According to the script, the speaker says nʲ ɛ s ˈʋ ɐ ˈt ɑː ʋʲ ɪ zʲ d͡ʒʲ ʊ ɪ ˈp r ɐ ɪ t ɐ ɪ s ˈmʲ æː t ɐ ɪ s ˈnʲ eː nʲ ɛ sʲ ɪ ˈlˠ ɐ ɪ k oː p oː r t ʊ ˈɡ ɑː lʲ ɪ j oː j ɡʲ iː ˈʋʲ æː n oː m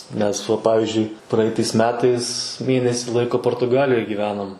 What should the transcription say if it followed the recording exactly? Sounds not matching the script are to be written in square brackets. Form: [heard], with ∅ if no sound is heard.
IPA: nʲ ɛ s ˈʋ ɐ [ˈp] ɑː ʋʲ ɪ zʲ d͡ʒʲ ʊ ɪ ˈp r ɐ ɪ t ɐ ɪ s ˈmʲ æː t ɐ ɪ s [ˈmʲ] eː nʲ ɛ sʲ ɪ ˈlˠ ɐ ɪ k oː p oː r t ʊ ˈɡ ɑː lʲ ɪ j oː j ɡʲ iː ˈʋʲ æː n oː m